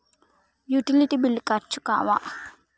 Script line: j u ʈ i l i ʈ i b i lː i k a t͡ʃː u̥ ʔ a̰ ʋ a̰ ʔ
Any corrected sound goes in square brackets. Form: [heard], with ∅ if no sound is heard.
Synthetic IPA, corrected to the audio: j u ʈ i l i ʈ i b i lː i k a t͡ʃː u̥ [k] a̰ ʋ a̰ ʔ